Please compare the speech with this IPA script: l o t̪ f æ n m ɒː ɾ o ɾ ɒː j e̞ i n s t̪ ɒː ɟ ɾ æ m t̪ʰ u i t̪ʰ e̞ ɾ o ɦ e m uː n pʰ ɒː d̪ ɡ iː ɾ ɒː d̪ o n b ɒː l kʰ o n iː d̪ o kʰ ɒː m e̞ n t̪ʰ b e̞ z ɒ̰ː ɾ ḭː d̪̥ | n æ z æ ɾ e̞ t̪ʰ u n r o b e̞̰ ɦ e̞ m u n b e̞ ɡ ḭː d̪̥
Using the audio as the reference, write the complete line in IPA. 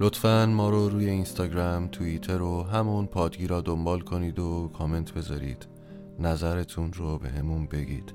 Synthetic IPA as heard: l o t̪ f æ n m ɒː ɾ o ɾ uː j e̞ i n s t̪ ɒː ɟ ɾ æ m t̪ʰ u i t̪ʰ e̞ ɾ o ɦ æ m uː n pʰ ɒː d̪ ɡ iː ɾ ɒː d̪ o m b ɒː l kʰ o n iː d̪ o kʰ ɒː m e̞ n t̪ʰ b e̞ z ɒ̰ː ɾ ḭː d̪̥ | n æ z æ ɾ e̞ t̪ʰ u n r o b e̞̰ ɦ e̞ m u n b e̞ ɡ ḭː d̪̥